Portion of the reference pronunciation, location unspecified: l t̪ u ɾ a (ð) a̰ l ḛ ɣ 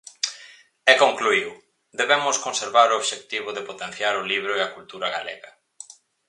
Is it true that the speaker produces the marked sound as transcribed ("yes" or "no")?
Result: no